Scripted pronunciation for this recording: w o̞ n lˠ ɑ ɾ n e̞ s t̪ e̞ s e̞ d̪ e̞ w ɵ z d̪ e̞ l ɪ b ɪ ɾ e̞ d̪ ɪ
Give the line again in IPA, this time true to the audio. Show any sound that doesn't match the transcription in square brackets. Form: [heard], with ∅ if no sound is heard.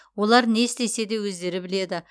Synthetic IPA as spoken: w o̞ [∅] lˠ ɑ ɾ n e̞ s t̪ e̞ s e̞ d̪ e̞ w ɵ z d̪ e̞ [ɾ] ɪ b ɪ [l] e̞ d̪ ɪ

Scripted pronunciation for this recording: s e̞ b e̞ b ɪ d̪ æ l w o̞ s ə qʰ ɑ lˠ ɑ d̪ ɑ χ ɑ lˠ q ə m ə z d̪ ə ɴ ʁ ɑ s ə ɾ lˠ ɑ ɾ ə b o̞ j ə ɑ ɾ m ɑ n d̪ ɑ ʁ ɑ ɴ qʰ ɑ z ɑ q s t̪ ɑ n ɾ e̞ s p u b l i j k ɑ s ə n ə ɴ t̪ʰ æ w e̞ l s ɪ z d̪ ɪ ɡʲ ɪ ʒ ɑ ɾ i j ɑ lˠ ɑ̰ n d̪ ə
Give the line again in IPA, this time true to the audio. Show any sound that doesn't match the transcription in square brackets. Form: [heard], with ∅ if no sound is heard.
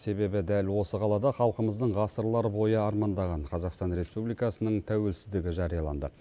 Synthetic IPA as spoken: s e̞ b e̞ b ɪ d̪ æ l w o̞ s ə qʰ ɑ lˠ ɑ d̪ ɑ χ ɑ lˠ q ə m ə z d̪ ə ɴ ʁ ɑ s ə ɾ lˠ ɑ ɾ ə b o̞ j ə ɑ ɾ m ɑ n d̪ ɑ ʁ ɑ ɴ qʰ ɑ z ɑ q s t̪ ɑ n ɾ e̞ s p u b l i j k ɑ s ə n ə ɴ t̪ʰ æ w e̞ l s ɪ z d̪ ɪ ɡʲ ɪ ʒ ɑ ɾ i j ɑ lˠ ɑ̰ n d̪ ə

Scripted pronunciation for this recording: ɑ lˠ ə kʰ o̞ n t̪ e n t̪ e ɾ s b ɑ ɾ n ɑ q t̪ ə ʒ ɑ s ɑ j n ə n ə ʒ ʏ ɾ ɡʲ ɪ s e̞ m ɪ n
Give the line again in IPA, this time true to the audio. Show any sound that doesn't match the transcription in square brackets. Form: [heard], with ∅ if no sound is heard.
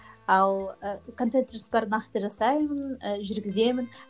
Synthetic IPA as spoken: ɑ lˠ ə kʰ o̞ n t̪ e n t̪ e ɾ s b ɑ ɾ n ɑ q t̪ ə ʒ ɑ s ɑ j [m] ə n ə ʒ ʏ ɾ ɡʲ ɪ [z] e̞ m ɪ n

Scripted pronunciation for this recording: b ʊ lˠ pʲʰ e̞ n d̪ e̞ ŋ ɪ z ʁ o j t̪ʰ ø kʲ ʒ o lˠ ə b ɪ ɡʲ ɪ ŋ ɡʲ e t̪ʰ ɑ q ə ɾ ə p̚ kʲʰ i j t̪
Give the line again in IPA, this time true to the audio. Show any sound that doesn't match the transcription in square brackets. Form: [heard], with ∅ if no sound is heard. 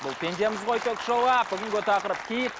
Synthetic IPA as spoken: b ʊ lˠ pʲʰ e̞ n d̪ e̞ [m] ɪ z ʁ o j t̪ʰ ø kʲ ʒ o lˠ [ɑ] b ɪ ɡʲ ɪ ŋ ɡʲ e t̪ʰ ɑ q ə ɾ ə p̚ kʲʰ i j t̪

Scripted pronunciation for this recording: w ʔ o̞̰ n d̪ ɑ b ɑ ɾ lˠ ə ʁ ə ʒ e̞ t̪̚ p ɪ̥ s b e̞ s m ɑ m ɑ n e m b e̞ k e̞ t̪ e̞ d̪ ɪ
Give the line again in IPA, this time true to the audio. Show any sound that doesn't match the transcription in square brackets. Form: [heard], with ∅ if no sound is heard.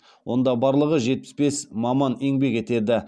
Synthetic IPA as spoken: w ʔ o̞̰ n d̪ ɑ b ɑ ɾ lˠ ə ʁ ə ʒ e̞ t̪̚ p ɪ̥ s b e̞ s m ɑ m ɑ n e [ŋ] b e̞ k e̞ t̪ e̞ d̪ ɪ

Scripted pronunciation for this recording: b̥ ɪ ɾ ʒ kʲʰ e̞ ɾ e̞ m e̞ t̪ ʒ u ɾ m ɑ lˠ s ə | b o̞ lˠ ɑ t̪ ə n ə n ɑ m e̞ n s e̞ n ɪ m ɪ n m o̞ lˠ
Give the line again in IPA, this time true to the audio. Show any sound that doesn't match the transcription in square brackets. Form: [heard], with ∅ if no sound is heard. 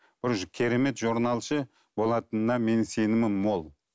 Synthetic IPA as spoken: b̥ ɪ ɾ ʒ kʲʰ e̞ ɾ e̞ m e̞ t̪ ʒ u ɾ [n] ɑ lˠ [ʃ] ə | b o̞ lˠ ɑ t̪ ə n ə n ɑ m e̞ n s e̞ n ɪ m ɪ n m o̞ lˠ

